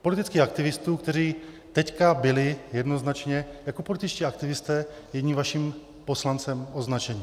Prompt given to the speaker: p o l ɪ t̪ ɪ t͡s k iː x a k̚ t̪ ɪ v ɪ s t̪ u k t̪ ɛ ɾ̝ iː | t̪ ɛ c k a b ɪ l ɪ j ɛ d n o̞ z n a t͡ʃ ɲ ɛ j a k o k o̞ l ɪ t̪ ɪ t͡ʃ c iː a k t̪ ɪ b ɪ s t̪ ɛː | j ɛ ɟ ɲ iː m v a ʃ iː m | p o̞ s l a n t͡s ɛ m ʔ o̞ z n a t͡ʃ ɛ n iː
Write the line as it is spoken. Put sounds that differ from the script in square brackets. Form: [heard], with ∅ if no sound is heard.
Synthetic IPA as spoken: p o l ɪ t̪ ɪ t͡s k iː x a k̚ t̪ ɪ v ɪ s t̪ [uː] k t̪ ɛ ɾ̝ iː | t̪ ɛ c k a b ɪ l ɪ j ɛ d n o̞ z n a t͡ʃ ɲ ɛ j a k o [p] o̞ l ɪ t̪ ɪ t͡ʃ c iː a k t̪ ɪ [v] ɪ s t̪ ɛː | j ɛ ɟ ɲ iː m v a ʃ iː m | p o̞ s l a n t͡s ɛ m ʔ o̞ z n a t͡ʃ ɛ [ɲ] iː